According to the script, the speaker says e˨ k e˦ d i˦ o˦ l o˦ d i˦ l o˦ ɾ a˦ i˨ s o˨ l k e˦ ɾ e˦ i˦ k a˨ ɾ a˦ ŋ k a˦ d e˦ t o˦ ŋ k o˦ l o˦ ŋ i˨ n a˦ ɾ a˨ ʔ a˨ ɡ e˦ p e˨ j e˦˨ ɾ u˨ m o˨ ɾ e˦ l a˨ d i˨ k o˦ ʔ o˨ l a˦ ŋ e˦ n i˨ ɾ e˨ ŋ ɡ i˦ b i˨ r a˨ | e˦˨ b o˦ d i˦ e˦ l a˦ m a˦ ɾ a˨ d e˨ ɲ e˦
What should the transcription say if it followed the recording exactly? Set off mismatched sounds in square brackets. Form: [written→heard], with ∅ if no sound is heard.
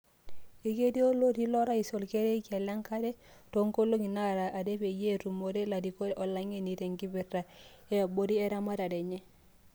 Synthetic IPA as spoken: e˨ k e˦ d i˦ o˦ l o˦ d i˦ l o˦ ɾ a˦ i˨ s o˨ l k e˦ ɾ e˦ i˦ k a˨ [ɾ→l] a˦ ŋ k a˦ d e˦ t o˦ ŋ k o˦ l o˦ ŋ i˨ n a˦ ɾ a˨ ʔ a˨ [ɡ→d] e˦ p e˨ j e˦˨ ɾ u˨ m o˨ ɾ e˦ l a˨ d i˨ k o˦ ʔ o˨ l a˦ ŋ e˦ n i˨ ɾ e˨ ŋ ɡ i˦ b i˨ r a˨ | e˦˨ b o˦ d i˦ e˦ [l→ɾ] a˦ m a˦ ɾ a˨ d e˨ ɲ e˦